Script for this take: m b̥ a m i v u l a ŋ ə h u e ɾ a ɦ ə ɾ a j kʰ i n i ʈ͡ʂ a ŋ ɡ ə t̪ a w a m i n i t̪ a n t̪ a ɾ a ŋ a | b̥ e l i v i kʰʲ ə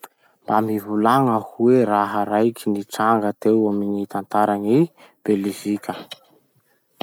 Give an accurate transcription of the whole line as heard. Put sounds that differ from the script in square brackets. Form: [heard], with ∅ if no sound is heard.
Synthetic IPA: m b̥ a m i v u l a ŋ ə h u e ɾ a ɦ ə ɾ a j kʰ i n i ʈ͡ʂ a ŋ ɡ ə t̪ [e] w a m i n i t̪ a n t̪ a ɾ a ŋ [i] | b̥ e l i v i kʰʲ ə